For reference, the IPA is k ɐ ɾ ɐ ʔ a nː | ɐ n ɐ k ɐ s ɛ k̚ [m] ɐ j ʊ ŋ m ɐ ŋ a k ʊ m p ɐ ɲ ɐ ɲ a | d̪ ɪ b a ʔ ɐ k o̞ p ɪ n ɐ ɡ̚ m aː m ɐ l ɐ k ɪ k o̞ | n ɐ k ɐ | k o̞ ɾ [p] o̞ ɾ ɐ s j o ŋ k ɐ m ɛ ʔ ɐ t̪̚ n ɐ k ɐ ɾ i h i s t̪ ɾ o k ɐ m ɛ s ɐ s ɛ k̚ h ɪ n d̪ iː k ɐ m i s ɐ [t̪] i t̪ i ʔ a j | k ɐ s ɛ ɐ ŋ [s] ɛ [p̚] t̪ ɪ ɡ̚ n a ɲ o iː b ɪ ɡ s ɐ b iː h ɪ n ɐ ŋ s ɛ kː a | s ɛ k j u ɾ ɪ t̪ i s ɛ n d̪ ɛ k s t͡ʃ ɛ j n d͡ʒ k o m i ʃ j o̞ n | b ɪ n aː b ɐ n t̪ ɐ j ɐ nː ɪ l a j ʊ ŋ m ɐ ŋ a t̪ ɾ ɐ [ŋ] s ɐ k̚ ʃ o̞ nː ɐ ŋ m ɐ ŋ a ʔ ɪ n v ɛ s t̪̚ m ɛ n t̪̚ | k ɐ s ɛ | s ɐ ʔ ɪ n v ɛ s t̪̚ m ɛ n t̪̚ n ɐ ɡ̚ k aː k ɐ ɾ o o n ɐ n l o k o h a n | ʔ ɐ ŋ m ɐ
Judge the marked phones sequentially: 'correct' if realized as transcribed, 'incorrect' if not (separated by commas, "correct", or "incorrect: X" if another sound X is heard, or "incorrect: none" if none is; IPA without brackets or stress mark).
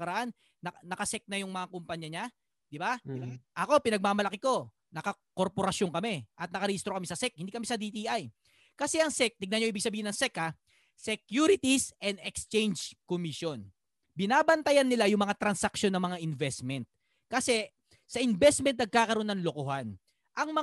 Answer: incorrect: n, correct, incorrect: d̪, correct, incorrect: k̚, incorrect: n